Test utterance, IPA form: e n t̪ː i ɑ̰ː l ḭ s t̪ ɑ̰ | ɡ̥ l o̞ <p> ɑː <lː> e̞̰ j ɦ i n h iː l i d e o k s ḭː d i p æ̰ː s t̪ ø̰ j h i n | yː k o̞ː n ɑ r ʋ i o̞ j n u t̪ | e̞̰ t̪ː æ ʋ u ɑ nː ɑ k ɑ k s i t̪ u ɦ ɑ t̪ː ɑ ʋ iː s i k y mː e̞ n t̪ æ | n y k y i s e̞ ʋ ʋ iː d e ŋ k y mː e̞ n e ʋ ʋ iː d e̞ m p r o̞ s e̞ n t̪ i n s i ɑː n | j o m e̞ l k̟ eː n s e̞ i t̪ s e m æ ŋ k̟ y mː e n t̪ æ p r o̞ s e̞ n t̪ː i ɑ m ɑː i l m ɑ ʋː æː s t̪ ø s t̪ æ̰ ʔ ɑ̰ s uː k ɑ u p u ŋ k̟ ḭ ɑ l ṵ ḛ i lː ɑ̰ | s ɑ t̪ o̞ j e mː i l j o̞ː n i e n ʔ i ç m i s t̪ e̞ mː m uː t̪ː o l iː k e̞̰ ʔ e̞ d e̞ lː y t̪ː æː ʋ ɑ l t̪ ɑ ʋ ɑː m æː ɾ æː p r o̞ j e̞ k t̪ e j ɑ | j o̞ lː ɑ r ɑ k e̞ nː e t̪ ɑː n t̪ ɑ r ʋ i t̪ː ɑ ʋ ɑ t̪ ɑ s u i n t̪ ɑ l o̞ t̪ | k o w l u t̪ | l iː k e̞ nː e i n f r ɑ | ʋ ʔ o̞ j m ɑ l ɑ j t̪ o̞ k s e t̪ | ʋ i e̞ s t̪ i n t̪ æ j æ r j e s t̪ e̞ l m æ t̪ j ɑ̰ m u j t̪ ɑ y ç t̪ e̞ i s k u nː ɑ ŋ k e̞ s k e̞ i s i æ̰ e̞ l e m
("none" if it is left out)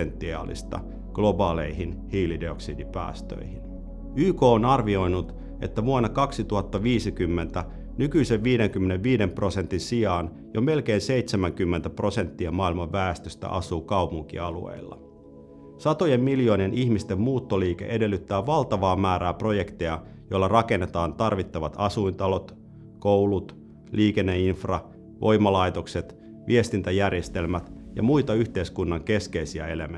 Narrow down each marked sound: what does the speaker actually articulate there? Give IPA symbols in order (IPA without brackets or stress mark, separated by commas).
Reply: b, l